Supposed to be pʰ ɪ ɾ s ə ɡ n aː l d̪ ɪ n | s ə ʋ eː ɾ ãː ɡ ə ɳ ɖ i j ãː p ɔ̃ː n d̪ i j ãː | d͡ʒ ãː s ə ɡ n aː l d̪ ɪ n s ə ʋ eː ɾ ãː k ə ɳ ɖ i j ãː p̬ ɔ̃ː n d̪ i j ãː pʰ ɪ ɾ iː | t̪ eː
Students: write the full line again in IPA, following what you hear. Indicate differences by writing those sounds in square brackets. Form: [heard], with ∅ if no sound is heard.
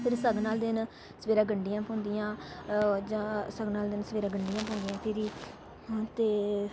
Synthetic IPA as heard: pʰ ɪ ɾ s ə ɡ n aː l d̪ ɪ n | s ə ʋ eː ɾ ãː ɡ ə ɳ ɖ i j ãː p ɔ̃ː n d̪ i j ãː | d͡ʒ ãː s ə ɡ n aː l d̪ ɪ n s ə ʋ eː ɾ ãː [ɡ] ə ɳ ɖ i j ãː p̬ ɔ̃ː n d̪ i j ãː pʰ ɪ ɾ iː | t̪ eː